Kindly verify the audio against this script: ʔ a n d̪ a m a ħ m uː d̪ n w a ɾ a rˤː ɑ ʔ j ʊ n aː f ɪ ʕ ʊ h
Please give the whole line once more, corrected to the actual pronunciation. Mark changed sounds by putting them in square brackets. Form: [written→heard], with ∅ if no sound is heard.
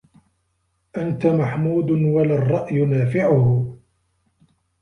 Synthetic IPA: ʔ a n [d̪→t̪] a m a ħ m uː d̪ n w a [ɾ→l] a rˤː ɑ ʔ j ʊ n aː f ɪ ʕ ʊ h